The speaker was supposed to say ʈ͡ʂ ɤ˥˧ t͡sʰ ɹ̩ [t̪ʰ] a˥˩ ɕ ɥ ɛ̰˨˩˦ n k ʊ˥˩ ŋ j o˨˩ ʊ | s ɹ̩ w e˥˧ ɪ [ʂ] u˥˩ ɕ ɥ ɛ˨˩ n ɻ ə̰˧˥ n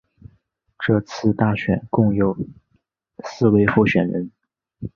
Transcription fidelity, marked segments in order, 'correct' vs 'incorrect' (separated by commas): incorrect, incorrect